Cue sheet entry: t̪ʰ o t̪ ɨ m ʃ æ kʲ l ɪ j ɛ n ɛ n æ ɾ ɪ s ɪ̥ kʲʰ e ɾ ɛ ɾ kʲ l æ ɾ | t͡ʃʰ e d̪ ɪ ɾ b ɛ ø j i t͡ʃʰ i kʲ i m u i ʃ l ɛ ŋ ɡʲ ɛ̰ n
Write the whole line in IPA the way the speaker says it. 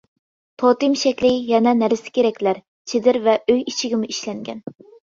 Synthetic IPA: t̪ʰ o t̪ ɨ m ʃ ɛ kʲ l ɪ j ɛ n ɛ n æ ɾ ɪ s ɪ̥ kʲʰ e ɾ ɛ kʲ l æ ɾ | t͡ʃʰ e d̪ ɪ ɾ v ɛ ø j i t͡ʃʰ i ɡʲ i m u i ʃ l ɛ ŋ ɡʲ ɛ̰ n